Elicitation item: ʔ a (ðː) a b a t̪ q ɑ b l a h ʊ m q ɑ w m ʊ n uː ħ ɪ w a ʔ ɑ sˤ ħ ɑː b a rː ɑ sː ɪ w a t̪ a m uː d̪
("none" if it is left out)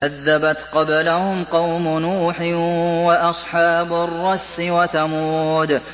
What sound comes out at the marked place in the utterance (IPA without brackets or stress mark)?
ðː